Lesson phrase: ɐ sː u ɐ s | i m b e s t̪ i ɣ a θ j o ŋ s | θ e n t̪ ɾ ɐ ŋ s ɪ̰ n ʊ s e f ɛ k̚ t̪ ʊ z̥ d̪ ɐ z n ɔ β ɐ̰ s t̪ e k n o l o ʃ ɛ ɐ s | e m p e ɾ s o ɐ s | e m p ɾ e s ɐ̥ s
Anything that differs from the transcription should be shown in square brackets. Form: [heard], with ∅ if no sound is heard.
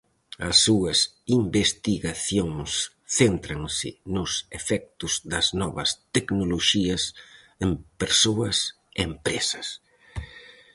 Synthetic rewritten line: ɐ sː u ɐ s | i m b e s t̪ i ɣ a θ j o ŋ s | θ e n t̪ ɾ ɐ ŋ s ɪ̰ n ʊ s e f ɛ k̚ t̪ ʊ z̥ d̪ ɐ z n ɔ β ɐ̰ s t̪ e k n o l o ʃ [i] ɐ s | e m p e ɾ s o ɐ s | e m p ɾ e s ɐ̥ s